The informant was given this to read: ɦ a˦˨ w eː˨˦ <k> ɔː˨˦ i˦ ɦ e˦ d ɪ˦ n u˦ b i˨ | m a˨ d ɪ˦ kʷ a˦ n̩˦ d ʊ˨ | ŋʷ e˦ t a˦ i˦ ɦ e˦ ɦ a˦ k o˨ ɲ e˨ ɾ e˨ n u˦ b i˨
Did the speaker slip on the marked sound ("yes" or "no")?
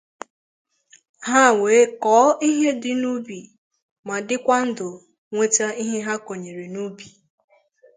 no